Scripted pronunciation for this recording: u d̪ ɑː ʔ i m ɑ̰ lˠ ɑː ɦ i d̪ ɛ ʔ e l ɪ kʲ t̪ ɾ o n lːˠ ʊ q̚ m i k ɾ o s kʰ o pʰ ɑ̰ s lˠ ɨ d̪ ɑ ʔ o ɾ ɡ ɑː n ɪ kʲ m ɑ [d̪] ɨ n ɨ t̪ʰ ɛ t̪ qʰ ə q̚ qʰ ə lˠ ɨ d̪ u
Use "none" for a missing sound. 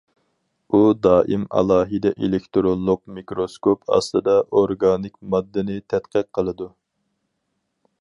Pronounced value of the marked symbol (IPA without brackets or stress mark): d̪ː